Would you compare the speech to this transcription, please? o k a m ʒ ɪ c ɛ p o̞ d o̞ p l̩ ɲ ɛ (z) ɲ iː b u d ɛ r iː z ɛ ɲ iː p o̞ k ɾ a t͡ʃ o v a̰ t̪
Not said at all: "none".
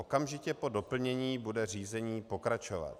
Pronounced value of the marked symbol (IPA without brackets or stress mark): none